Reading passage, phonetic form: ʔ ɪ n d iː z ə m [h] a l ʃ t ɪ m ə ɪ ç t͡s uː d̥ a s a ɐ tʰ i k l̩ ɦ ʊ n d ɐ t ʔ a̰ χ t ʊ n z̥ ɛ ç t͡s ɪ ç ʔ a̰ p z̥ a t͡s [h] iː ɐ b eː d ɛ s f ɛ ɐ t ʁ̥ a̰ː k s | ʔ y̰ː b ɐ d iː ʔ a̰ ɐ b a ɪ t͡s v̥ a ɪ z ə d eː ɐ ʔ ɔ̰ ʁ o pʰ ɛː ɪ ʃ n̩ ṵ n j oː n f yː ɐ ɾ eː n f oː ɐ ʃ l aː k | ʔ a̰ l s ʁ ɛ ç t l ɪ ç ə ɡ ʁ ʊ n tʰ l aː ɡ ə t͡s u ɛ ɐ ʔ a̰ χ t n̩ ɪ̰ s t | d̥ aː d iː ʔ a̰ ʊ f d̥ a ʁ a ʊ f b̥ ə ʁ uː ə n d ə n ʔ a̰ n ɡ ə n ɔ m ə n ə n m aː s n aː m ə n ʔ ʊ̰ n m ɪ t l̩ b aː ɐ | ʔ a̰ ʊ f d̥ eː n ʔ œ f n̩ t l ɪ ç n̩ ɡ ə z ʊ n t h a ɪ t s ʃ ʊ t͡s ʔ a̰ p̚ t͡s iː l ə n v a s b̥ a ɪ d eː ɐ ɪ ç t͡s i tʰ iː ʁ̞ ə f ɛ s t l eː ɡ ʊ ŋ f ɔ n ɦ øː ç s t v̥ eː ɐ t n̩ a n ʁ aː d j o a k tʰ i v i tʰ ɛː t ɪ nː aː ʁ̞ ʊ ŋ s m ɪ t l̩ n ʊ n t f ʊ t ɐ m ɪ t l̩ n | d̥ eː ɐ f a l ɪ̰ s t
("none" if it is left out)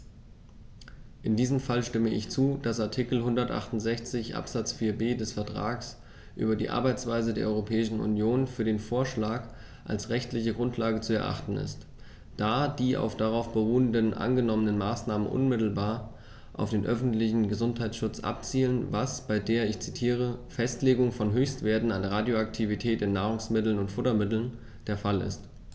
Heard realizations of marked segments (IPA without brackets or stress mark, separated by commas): f, f